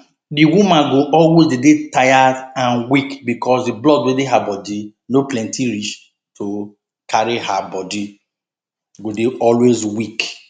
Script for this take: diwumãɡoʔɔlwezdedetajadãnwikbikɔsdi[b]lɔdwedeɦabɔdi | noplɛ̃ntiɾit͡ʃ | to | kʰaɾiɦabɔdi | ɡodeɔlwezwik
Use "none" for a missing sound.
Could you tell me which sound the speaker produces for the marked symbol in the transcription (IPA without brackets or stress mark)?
b